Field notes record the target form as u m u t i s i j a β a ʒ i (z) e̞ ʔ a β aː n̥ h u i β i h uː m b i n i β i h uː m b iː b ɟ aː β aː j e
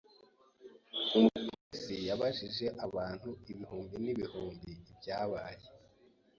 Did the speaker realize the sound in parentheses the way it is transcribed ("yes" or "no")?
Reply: no